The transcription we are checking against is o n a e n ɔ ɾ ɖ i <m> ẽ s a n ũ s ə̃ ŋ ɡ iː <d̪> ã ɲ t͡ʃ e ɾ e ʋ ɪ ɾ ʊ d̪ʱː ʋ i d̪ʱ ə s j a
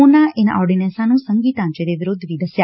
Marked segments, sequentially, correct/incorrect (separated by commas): incorrect, incorrect